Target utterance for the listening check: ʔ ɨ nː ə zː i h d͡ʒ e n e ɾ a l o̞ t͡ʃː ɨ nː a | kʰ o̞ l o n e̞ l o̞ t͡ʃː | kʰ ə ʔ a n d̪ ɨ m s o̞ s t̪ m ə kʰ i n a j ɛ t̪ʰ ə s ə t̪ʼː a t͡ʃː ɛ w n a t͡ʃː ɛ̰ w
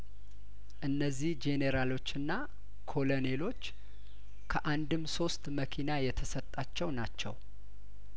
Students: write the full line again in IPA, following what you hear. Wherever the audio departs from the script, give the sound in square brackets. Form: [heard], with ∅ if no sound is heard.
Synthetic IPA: ʔ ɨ nː ə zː i h d͡ʒ e n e ɾ a l o̞ t͡ʃː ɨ nː a | kʰ o̞ l o n e̞ l o̞ t͡ʃː | kʰ ə ʔ a n d̪ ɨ m s o̞ s t̪ m ə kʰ i n a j ɛ t̪ʰ ə s ə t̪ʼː a t͡ʃː ɛ w n a t͡ʃː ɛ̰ w